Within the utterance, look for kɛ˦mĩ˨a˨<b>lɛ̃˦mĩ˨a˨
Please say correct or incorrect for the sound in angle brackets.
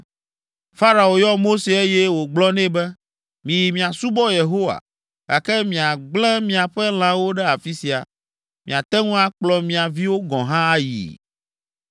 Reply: incorrect: ɡ͡b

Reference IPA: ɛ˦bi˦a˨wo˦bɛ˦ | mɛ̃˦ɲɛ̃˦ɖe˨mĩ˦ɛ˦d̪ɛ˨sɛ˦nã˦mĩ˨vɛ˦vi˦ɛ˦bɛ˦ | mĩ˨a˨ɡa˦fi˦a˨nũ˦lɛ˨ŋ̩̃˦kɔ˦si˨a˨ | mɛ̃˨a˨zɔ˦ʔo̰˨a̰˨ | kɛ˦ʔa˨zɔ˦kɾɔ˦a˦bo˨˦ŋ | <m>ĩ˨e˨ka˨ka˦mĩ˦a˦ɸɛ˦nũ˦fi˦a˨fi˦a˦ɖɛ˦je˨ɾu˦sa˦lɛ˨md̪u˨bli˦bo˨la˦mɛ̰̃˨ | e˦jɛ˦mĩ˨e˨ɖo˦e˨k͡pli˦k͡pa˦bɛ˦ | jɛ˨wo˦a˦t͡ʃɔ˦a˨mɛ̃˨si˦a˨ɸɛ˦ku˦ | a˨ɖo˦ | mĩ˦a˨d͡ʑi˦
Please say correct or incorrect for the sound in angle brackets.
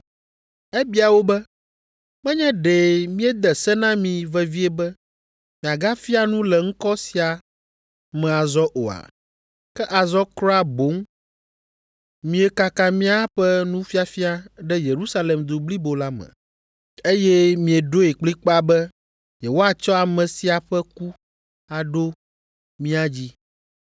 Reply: correct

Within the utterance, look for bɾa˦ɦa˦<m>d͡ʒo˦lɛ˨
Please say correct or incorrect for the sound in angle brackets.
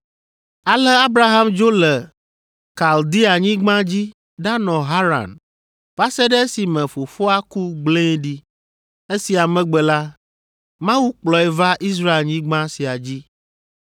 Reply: correct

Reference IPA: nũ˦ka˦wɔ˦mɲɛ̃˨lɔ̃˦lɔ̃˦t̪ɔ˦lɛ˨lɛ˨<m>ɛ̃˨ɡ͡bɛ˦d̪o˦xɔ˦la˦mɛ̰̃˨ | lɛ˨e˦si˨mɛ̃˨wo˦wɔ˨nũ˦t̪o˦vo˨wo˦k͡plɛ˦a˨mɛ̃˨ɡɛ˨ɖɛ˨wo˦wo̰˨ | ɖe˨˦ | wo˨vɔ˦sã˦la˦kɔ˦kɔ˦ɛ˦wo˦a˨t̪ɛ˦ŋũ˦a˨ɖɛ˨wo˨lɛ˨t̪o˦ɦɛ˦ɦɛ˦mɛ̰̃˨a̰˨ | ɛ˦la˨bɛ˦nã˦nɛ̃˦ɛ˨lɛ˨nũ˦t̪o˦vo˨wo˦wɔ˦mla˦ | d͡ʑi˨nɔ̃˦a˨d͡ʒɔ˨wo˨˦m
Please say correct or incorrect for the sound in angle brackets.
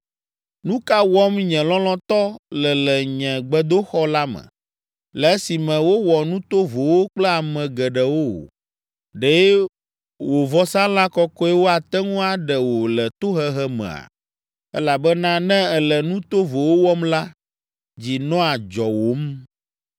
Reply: incorrect: ɲ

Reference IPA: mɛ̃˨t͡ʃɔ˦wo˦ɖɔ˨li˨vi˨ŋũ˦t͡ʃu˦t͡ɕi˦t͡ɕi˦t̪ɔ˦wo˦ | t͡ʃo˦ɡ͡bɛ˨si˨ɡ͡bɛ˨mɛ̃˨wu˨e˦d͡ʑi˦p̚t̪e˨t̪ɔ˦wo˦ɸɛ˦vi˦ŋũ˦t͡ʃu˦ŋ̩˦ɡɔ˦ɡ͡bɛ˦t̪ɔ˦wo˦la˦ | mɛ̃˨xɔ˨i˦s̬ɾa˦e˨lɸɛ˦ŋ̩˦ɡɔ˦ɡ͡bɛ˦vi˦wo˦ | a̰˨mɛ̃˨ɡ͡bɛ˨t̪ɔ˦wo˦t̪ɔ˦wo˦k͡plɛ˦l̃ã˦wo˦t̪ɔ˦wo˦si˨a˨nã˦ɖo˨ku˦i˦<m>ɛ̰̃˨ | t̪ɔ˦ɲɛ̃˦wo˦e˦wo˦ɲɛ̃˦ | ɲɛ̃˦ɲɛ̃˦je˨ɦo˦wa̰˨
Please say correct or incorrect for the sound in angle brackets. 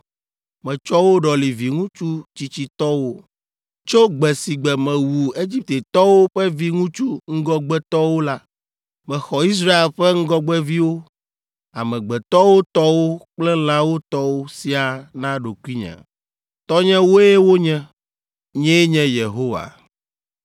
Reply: incorrect: ɲ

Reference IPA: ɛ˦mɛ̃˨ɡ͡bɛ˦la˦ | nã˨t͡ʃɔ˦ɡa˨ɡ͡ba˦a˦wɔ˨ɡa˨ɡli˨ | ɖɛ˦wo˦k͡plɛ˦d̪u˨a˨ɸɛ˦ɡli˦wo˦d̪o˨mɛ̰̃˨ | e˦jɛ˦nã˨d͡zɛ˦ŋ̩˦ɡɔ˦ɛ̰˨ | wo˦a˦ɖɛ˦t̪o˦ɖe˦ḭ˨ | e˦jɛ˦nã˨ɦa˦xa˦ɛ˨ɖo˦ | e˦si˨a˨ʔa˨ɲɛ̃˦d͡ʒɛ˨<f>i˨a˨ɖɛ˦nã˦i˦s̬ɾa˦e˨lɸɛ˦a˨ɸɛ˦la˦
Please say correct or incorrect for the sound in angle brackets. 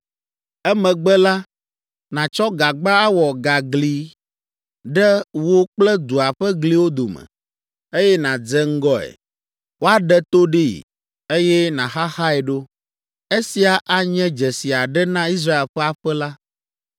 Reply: incorrect: s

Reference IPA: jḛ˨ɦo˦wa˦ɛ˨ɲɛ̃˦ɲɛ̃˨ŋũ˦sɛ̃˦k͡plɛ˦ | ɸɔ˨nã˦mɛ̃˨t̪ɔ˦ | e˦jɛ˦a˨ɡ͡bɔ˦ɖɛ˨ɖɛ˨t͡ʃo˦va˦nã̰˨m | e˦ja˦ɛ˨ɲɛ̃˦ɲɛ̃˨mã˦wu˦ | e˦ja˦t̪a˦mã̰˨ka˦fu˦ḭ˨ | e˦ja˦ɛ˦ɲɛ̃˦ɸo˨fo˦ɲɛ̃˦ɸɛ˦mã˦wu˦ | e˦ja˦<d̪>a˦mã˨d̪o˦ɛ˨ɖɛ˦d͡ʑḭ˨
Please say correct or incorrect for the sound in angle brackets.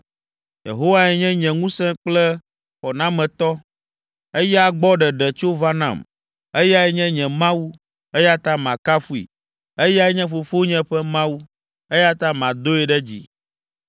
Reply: incorrect: t̪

